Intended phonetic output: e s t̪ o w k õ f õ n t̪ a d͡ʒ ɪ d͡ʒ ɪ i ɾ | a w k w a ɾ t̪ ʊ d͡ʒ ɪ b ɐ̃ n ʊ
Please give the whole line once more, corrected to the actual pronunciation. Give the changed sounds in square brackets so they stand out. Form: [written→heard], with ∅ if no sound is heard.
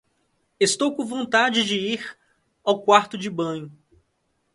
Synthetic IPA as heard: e s t̪ o w k õ [f→v] õ n t̪ a d͡ʒ ɪ d͡ʒ ɪ i ɾ | a w k w a ɾ t̪ ʊ d͡ʒ ɪ b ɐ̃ [n→ɲ] ʊ